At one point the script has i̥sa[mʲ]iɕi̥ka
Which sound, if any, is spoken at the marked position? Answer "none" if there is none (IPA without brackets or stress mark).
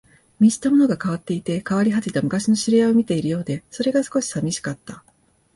mʲ